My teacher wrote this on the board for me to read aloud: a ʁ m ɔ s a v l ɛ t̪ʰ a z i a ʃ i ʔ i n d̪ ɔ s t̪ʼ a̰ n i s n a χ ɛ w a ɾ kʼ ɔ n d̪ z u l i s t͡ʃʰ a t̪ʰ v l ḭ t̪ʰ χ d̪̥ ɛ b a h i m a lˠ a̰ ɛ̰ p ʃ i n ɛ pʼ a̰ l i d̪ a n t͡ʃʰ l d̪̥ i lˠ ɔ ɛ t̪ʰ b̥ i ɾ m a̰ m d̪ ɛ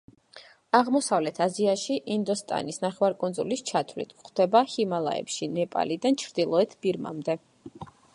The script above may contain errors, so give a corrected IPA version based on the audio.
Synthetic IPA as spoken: a ʁ m ɔ s a v l ɛ t̪ʰ a z i a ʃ i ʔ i n d̪ ɔ s t̪ʼ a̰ n i s n a χ ɛ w a ɾ kʼ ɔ n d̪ z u l i s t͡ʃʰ a t̪ʰ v l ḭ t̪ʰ χ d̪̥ ɛ b a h i m a lˠ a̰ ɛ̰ p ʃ i n ɛ pʼ a̰ l i d̪ a n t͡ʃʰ ɾ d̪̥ i lˠ ɔ ɛ t̪ʰ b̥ i ɾ m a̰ m d̪ ɛ